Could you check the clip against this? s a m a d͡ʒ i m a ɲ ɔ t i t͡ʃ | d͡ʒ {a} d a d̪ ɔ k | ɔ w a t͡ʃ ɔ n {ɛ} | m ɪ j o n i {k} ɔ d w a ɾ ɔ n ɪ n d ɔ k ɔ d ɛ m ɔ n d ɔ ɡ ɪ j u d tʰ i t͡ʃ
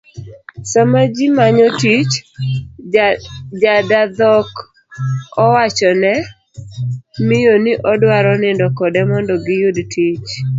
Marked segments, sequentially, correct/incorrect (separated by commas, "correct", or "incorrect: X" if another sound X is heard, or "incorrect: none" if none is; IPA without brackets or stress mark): correct, correct, incorrect: ʔ